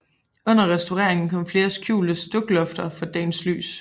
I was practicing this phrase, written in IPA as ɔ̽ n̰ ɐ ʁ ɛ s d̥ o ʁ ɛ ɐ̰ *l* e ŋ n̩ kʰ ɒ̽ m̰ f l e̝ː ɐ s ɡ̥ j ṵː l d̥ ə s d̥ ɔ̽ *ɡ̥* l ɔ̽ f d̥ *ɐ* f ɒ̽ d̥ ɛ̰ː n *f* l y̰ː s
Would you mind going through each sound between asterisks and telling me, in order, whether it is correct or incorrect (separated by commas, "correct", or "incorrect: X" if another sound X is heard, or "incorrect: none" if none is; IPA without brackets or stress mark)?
incorrect: none, correct, correct, incorrect: s